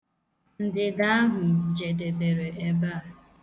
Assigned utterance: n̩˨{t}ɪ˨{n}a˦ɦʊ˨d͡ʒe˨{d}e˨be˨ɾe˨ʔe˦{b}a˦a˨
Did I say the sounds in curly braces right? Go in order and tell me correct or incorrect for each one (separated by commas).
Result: incorrect, incorrect, correct, correct